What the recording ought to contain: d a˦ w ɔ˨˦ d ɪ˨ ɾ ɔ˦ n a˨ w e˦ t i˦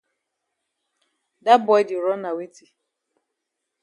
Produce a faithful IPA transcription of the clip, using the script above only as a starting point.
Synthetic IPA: d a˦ b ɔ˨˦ d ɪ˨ ɾ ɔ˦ n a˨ w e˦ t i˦